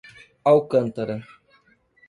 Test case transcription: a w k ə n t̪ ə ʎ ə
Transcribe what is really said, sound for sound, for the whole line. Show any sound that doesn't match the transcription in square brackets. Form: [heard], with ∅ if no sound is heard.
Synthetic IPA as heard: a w k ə n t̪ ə [ɾ] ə